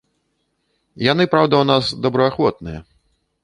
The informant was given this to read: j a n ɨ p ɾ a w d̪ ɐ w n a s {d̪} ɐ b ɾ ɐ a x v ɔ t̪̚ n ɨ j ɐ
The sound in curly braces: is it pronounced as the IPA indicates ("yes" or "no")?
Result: yes